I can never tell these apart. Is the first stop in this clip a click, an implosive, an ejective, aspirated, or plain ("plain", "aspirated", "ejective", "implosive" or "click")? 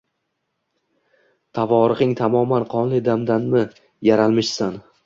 aspirated